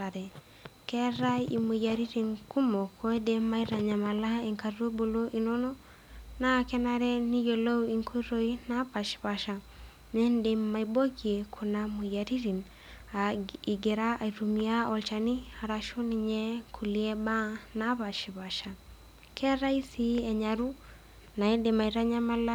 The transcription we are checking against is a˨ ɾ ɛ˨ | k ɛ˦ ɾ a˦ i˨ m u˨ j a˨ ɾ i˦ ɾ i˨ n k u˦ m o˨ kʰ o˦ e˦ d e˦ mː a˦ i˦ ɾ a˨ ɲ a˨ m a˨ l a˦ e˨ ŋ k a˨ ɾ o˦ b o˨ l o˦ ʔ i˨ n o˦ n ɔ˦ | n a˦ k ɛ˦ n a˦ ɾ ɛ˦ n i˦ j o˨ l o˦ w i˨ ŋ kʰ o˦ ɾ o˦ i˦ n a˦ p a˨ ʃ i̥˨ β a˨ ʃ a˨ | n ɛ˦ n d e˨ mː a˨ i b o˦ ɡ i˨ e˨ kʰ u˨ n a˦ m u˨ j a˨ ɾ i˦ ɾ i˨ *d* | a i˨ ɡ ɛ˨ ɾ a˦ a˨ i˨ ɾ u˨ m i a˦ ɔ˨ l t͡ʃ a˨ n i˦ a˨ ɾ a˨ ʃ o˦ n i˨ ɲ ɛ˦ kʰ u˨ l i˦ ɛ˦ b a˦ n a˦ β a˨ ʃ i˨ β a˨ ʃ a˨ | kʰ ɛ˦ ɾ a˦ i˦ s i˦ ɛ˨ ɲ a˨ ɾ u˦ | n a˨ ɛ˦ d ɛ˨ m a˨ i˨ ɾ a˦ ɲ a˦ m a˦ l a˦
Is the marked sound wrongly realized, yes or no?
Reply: yes